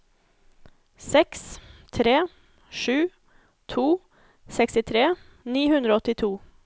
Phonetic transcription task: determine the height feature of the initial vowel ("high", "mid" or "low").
mid